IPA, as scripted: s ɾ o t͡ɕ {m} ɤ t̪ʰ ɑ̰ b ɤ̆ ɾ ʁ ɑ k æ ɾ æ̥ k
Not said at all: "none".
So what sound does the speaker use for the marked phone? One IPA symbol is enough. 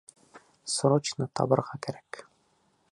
n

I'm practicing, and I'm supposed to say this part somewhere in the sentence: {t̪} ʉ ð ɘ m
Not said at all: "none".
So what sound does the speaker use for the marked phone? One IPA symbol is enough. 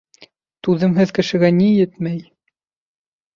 t̪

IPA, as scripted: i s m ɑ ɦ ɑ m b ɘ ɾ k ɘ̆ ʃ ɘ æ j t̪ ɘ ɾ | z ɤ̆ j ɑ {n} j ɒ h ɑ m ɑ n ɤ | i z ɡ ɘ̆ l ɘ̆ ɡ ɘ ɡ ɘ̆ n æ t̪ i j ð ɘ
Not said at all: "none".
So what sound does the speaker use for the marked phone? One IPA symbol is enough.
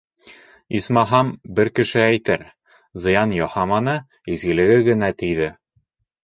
n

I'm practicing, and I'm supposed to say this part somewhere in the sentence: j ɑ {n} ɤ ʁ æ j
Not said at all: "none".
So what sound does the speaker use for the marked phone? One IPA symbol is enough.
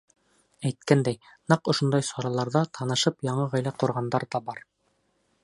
ɴ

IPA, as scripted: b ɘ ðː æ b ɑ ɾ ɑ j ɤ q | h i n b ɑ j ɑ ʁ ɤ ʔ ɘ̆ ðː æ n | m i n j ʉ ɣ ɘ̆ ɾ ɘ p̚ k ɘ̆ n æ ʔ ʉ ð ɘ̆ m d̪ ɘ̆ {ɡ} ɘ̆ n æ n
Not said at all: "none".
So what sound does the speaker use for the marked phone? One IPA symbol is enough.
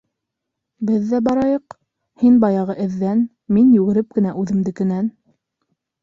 k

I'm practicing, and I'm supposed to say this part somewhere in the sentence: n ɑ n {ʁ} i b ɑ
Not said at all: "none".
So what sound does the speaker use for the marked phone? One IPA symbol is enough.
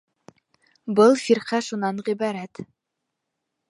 ʁ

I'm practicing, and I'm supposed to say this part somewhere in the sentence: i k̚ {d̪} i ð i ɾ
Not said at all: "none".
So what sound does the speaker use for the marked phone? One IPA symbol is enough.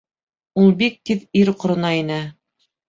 t̪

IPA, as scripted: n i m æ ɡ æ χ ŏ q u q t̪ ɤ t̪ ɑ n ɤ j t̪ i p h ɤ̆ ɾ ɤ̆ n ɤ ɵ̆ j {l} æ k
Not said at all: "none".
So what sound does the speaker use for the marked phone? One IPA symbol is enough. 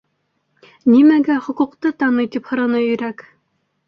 ɾ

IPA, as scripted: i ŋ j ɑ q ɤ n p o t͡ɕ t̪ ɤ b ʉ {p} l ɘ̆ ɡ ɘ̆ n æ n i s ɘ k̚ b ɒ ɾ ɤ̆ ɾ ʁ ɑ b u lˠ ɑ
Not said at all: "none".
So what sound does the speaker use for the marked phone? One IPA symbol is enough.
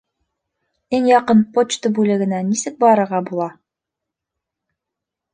none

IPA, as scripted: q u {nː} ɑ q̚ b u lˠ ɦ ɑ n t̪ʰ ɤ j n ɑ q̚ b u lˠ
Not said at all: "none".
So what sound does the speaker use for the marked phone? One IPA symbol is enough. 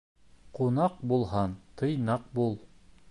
n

